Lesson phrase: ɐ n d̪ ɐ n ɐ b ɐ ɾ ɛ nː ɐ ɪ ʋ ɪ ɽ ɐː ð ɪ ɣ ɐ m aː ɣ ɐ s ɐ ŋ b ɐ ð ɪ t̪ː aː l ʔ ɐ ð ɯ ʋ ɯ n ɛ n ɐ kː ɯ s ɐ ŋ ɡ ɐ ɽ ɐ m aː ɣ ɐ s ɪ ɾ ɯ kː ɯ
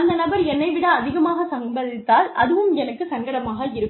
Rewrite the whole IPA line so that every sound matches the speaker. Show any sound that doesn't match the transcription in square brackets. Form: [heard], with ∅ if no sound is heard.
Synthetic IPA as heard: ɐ n d̪ ɐ n ɐ b ɐ ɾ ɛ nː ɐ ɪ ʋ ɪ ɽ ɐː ð ɪ ɣ ɐ m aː ɣ ɐ s ɐ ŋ b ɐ ð ɪ t̪ː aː l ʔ ɐ ð ɯ ʋ ɯ [m] ɛ n ɐ kː ɯ s ɐ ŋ ɡ ɐ ɽ ɐ m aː ɣ ɐ [∅] ɪ ɾ ɯ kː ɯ